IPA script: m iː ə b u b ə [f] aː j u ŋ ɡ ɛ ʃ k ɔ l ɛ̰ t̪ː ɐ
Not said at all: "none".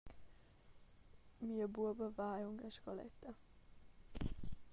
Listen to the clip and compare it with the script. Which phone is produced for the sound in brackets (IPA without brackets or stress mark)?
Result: v